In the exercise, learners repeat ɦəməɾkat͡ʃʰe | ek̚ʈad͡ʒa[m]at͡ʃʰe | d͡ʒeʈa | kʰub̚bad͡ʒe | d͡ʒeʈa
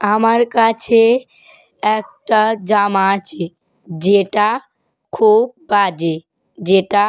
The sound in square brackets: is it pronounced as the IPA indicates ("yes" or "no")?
yes